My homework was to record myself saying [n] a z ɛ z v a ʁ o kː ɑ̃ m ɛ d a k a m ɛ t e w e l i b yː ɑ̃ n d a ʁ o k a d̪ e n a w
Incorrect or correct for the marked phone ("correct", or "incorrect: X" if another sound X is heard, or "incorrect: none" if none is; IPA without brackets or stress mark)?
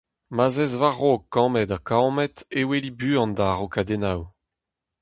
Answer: incorrect: m